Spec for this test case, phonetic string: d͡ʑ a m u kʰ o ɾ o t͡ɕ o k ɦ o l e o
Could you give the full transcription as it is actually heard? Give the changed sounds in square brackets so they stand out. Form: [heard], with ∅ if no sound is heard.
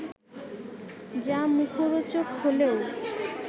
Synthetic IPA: d͡ʑ a m u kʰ o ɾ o t͡ɕ o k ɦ o l e o